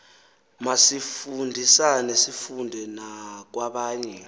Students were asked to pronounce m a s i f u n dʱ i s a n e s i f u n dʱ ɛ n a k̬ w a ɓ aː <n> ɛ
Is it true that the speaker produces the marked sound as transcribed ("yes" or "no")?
no